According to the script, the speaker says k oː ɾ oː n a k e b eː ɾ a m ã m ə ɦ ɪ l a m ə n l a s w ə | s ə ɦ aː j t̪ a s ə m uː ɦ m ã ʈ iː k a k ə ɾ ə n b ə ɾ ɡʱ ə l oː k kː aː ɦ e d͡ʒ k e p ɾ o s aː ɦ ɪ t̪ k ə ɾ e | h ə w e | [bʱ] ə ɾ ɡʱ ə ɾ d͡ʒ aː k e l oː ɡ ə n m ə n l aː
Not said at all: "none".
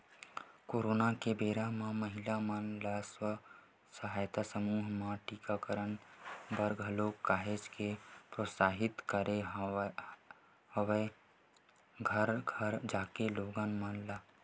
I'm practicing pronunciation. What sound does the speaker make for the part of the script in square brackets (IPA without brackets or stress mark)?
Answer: ɡʱ